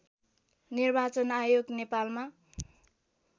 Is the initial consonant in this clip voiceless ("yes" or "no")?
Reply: no